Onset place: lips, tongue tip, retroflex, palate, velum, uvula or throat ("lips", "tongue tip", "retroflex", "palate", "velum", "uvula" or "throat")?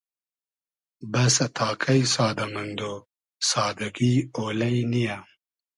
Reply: lips